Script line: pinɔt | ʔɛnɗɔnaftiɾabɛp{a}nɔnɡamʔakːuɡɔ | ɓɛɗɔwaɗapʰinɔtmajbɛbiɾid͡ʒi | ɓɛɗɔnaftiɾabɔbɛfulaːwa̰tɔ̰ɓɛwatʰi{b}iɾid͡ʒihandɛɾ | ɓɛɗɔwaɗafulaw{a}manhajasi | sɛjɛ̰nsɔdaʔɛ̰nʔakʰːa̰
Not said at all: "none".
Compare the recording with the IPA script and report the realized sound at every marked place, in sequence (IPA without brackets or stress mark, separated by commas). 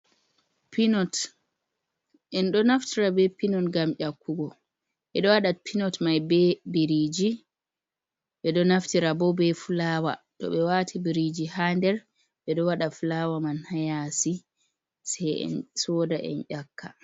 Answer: i, b, a